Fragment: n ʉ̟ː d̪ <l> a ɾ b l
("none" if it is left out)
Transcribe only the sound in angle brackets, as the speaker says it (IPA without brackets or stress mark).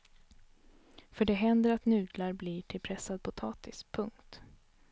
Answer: l